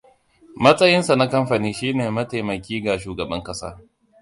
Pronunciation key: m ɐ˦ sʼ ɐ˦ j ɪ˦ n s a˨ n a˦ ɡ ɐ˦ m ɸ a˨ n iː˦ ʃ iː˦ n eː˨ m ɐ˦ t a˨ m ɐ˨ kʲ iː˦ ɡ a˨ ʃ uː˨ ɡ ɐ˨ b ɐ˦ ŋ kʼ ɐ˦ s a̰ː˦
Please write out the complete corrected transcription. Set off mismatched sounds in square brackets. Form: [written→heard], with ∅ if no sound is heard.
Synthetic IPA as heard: m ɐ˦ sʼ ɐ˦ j ɪ˦ n s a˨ n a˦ [ɡ→k] ɐ˦ m ɸ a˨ n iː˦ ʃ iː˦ n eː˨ m ɐ˦ t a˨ m ɐ˨ kʲ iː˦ ɡ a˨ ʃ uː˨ ɡ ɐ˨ b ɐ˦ ŋ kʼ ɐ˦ s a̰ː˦

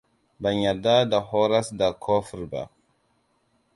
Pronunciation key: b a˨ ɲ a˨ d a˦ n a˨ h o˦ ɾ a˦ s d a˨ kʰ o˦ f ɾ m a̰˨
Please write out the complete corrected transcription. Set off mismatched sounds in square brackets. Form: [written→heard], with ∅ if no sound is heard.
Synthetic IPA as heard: b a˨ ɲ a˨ d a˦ [n→d] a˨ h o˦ ɾ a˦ s d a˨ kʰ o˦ f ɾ [m→b] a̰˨

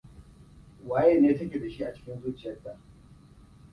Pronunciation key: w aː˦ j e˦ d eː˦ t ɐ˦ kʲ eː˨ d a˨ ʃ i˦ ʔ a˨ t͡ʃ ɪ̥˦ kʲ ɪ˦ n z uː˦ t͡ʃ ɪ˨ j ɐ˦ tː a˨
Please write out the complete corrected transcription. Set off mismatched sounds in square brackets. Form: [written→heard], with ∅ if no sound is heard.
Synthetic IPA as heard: w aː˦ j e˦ [d→n] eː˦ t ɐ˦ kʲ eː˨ d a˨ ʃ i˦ ʔ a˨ t͡ʃ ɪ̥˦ kʲ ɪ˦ n z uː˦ t͡ʃ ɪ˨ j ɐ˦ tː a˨

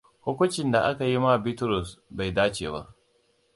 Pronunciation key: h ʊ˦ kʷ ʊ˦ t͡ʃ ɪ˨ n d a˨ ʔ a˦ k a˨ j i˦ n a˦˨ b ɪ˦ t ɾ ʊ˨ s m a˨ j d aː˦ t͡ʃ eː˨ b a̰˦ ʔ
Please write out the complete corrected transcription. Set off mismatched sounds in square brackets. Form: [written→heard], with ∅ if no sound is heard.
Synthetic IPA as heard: h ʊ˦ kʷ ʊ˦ t͡ʃ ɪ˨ n d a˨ ʔ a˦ k a˨ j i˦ [n→m] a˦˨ b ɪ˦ t ɾ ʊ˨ s [m→b] a˨ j d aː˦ t͡ʃ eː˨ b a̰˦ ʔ

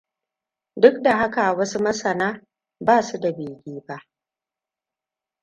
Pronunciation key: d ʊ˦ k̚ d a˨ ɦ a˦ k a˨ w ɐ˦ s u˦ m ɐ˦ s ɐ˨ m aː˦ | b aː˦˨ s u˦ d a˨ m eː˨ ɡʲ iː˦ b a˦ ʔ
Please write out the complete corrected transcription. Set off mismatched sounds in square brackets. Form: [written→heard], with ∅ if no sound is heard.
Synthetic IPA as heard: d ʊ˦ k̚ d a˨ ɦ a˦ k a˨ w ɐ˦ s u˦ m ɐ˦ s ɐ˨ [m→n] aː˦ | b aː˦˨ s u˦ d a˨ [m→b] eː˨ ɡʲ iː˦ b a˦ ʔ

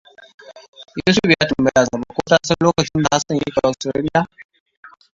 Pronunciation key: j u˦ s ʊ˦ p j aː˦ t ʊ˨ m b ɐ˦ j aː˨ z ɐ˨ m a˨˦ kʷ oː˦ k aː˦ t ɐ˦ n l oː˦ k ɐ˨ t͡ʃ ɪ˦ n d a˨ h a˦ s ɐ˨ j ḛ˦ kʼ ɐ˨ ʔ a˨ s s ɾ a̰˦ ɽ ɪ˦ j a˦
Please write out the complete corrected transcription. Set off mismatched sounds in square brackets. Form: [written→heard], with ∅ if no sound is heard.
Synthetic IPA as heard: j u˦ s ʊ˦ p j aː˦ t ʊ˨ m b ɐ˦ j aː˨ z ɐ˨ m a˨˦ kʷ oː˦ [k→t] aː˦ [t→s] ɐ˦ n l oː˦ k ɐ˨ t͡ʃ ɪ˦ n d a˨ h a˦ s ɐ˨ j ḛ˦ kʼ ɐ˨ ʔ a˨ s [s→t] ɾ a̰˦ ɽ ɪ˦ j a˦

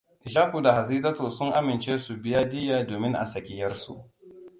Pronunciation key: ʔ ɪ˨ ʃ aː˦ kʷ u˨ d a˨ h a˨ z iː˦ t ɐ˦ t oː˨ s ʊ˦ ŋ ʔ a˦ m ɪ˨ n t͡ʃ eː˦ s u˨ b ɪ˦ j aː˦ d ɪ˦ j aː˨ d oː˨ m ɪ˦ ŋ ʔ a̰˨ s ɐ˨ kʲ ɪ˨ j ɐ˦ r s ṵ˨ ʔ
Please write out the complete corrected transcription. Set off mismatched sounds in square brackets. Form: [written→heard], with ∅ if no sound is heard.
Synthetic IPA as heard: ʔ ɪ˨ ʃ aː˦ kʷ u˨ d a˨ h a˨ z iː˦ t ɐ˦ t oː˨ s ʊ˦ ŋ ʔ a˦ m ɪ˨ n t͡ʃ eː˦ s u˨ b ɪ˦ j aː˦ d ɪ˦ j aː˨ d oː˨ m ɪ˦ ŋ ʔ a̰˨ s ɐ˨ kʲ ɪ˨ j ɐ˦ r s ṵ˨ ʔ

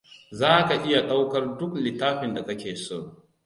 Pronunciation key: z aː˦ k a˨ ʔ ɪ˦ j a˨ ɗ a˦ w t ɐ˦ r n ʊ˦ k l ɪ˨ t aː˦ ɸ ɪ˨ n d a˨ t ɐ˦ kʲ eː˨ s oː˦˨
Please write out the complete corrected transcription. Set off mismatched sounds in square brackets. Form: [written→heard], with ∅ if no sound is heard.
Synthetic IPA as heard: z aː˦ k a˨ ʔ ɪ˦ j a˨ ɗ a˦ w [t→k] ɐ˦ r [n→d] ʊ˦ k l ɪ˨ t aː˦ ɸ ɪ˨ n d a˨ [t→k] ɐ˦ kʲ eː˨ s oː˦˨

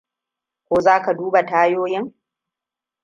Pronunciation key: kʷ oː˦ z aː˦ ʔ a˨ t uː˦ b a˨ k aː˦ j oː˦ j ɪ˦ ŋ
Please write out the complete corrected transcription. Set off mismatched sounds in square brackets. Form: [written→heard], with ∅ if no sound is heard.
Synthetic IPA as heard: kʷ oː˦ z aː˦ [ʔ→k] a˨ [t→d] uː˦ b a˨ [k→t] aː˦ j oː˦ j ɪ˦ ŋ

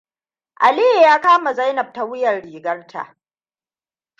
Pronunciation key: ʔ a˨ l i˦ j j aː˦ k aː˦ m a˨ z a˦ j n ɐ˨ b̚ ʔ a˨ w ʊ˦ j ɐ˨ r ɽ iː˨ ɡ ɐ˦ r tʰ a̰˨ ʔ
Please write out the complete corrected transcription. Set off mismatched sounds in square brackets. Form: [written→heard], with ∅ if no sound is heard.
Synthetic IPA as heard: ʔ a˨ l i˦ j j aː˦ k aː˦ m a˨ z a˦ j n ɐ˨ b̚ [ʔ→t] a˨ w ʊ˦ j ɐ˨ r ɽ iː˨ ɡ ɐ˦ r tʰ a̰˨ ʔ

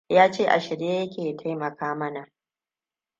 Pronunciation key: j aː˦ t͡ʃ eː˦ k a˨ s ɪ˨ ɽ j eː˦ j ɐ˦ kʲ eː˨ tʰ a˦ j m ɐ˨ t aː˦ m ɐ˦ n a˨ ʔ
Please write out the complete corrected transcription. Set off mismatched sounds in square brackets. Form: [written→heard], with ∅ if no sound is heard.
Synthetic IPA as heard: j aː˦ t͡ʃ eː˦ [k→ʔ] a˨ [s→ʃ] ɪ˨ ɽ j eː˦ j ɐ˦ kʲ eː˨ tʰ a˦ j m ɐ˨ [t→k] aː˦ m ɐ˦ n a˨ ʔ

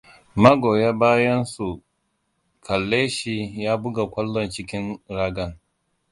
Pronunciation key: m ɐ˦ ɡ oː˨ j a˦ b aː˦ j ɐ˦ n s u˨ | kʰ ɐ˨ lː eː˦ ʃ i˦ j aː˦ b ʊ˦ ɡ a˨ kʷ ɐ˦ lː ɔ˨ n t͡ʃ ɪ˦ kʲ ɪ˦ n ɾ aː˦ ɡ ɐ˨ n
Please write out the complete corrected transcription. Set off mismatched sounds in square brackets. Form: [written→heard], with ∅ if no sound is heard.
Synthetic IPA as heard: m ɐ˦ ɡ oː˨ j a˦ b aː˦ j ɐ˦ n s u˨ | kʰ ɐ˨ lː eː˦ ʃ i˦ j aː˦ b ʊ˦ ɡ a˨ kʷ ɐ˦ lː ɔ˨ n t͡ʃ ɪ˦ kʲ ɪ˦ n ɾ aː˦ ɡ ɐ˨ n

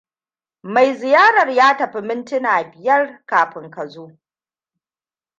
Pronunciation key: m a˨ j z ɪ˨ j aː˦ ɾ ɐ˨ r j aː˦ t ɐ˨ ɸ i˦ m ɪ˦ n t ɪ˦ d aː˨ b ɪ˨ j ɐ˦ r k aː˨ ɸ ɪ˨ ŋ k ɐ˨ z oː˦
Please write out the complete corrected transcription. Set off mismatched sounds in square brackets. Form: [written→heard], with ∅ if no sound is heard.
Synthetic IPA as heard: m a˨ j z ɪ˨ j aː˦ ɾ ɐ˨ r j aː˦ t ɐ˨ ɸ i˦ m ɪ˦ n t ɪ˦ [d→n] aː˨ b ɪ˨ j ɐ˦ r k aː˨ ɸ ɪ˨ ŋ k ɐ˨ z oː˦

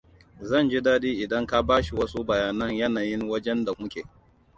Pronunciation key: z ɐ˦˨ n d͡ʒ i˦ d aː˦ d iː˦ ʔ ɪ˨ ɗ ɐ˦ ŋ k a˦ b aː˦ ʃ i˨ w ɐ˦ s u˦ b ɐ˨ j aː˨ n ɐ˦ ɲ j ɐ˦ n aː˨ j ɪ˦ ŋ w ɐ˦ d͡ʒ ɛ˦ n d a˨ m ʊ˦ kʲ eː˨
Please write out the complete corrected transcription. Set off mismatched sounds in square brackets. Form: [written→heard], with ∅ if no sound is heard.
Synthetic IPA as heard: z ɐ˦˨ n d͡ʒ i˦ d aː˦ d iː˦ ʔ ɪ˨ [ɗ→d] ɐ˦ ŋ k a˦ b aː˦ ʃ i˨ w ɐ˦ s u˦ b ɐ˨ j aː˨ n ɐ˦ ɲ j ɐ˦ n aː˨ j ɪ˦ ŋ w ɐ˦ d͡ʒ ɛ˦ n d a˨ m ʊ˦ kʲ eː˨

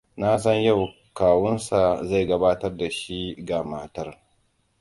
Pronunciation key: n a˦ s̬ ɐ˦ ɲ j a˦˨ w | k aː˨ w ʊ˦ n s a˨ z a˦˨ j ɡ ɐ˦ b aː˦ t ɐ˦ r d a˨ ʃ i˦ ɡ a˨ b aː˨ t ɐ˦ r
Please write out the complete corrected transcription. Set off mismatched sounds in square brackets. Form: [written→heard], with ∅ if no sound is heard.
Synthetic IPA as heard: n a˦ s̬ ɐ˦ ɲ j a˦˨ w | k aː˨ w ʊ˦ n s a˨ z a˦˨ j ɡ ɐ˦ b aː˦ t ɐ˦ r d a˨ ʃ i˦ ɡ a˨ [b→m] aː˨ t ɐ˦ r

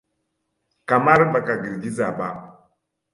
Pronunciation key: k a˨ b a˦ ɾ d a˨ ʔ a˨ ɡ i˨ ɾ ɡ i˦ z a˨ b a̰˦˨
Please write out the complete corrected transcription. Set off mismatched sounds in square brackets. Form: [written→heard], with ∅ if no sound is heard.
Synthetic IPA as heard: k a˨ [b→m] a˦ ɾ [d→b] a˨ [ʔ→k] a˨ ɡ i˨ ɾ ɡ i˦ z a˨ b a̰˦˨

